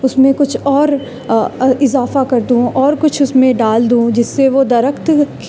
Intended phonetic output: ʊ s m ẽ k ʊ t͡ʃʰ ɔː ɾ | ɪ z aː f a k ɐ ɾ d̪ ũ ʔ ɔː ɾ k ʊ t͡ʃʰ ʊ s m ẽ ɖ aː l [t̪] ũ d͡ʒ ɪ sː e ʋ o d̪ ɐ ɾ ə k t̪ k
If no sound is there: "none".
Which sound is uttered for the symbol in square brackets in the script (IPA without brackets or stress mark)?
d̪